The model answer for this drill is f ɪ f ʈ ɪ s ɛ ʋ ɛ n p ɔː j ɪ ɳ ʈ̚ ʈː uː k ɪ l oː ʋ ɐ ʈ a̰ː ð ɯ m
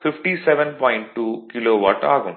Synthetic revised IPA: f ɪ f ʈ i s ɛ ʋ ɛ n p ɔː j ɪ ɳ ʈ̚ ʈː uː k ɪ l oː ʋ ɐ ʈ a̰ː ɣ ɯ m